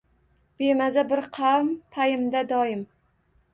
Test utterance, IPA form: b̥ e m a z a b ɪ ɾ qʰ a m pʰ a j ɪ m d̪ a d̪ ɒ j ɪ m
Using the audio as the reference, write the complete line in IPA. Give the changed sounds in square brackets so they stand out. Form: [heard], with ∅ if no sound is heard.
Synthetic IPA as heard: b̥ e m a z a b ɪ ɾ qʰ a m pʰ a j ɪ m d̪ a d̪ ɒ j ɪ m